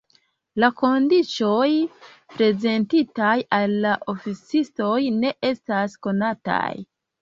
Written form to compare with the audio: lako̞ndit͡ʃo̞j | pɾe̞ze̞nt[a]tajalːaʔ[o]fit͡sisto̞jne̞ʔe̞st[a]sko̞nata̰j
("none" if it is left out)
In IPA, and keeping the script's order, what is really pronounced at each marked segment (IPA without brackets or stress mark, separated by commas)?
i, o, a